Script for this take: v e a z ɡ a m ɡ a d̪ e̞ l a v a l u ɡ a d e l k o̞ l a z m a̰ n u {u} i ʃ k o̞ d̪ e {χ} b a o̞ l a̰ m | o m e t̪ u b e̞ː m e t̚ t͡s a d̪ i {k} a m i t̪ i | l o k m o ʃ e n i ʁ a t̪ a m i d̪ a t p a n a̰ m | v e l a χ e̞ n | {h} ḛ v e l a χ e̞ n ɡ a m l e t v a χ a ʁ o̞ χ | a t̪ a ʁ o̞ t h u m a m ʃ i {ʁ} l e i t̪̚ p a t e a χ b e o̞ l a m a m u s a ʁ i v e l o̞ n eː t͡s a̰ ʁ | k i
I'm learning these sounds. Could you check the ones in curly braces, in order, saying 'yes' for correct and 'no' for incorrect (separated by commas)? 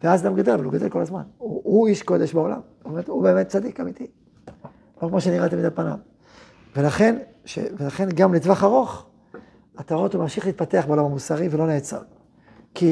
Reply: yes, no, yes, no, no